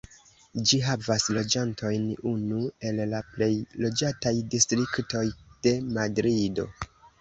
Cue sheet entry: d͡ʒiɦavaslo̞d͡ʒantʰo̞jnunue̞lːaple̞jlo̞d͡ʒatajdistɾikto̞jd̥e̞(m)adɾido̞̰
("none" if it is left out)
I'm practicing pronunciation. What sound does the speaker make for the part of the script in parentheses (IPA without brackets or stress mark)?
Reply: m